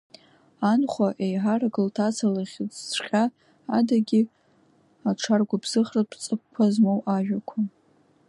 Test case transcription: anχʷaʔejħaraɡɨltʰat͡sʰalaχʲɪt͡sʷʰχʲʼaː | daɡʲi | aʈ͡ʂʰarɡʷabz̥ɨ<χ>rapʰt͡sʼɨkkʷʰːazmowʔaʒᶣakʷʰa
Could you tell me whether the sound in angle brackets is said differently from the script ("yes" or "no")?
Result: no